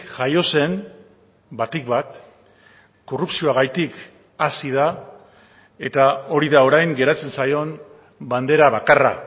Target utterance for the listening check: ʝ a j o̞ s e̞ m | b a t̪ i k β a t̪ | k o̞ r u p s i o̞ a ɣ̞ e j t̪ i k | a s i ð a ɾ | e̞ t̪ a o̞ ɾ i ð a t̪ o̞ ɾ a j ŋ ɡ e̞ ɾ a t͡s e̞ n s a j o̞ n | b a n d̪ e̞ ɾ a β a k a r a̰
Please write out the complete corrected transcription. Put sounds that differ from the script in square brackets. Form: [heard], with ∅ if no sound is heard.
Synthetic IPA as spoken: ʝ a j o̞ s e̞ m | b a t̪ i k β a t̪ | k o̞ r u p s i o̞ a ɣ̞ [a] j t̪ i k | a s i ð a [∅] | e̞ t̪ a o̞ ɾ i ð a [∅] o̞ ɾ a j ŋ ɡ e̞ ɾ a t͡s e̞ n s a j o̞ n | b a n d̪ e̞ ɾ a β a k a r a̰